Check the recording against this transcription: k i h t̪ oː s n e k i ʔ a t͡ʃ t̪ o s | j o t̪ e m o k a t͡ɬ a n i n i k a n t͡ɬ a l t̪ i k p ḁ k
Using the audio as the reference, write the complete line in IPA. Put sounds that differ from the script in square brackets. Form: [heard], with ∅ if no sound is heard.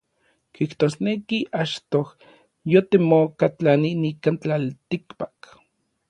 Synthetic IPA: k i h t̪ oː s n e k i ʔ a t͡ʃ t̪ o [h] | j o t̪ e m o k a t͡ɬ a n i n i k a n t͡ɬ a l t̪ i k p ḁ k

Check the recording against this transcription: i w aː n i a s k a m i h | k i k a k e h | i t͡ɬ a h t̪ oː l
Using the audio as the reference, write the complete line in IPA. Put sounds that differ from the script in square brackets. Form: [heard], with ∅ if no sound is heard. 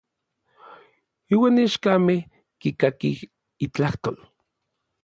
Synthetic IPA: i w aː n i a [ʃ] k a m [e] h | k i k a k [i] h | i t͡ɬ a h t̪ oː l

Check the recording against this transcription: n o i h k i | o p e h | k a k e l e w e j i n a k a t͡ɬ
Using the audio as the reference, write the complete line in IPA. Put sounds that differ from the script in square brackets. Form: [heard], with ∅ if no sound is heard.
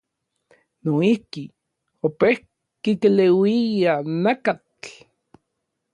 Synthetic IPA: n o i h k i | o p e h | k [i] k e l e w [i] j [a] n a k a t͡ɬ

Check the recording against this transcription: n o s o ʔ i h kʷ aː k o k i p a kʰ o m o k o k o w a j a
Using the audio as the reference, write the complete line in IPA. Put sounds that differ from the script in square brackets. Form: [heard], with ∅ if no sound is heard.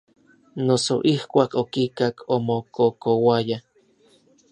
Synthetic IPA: n o s o ʔ i h kʷ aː k o k i [k] a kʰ o m o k o k o w a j a

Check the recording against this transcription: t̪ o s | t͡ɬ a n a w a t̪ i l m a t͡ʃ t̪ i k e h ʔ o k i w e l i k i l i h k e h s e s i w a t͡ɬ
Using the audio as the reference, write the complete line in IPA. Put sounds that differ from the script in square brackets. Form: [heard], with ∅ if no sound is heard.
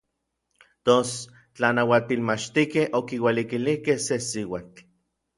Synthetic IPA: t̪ o s | t͡ɬ a n a w a t̪ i l m a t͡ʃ t̪ i k e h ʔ o k i w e l i k i l i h k e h s e s i w a t͡ɬ

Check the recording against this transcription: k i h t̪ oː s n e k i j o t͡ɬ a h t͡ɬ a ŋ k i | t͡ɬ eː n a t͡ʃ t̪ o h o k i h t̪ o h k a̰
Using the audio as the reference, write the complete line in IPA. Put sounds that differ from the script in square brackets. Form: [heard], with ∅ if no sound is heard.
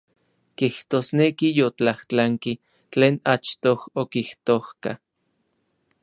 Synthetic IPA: k i h t̪ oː s n e k i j o t͡ɬ a h t͡ɬ a ŋ k i | t͡ɬ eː n a t͡ʃ t̪ o h o k i h t̪ o h k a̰

